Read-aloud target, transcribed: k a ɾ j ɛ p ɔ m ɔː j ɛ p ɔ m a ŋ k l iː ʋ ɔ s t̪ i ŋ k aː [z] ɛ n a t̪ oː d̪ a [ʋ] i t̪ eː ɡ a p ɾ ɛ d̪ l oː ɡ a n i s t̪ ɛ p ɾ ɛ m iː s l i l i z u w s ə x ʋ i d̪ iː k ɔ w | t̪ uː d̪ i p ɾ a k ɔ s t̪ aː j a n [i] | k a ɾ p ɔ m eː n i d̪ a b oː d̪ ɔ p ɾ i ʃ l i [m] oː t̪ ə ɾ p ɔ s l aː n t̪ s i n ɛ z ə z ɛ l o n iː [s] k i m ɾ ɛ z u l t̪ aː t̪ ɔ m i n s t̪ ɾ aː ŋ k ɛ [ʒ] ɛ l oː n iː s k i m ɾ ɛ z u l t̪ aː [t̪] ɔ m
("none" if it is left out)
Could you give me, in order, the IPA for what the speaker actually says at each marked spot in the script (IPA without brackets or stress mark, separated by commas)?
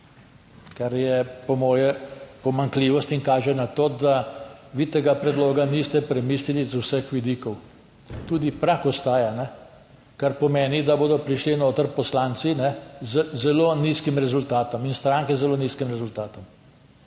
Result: ʒ, ʋ, ɛ, n, s, z, t̪